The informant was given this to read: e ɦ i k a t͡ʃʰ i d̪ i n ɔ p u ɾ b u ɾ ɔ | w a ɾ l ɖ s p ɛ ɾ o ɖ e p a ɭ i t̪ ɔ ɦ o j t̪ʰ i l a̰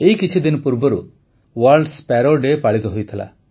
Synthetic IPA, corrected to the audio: e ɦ i k i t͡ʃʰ i d̪ i n ɔ p u ɾ b ɔ ɾ u | w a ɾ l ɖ s p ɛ ɾ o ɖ e p a ɭ i t̪ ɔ ɦ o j t̪ʰ i l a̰